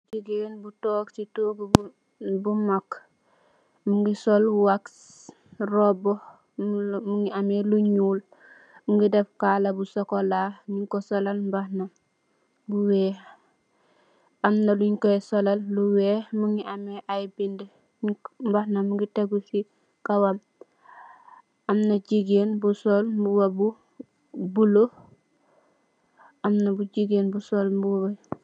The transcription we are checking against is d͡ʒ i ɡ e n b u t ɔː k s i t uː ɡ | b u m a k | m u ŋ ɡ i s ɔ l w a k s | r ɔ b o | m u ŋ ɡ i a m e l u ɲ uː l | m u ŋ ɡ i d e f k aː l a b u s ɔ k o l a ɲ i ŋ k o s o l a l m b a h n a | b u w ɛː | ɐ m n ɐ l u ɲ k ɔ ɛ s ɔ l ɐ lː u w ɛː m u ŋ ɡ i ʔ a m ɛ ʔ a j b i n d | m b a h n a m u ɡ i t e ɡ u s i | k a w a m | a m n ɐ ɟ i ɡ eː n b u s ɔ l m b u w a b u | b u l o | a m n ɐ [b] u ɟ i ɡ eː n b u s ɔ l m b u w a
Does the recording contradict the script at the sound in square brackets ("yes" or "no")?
no